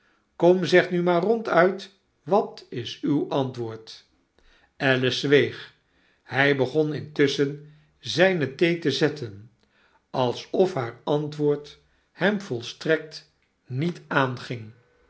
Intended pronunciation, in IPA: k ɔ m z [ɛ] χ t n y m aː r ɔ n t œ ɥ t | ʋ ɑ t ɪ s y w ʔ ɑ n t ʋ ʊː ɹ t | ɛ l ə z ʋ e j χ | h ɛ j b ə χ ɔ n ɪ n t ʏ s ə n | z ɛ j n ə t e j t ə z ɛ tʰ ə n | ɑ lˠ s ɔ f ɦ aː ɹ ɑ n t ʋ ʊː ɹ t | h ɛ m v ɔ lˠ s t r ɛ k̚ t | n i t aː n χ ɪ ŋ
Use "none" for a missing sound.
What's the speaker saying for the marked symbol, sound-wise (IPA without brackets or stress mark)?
ɛ